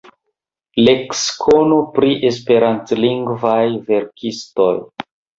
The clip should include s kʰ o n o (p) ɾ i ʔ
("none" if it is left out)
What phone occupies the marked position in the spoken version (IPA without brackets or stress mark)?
p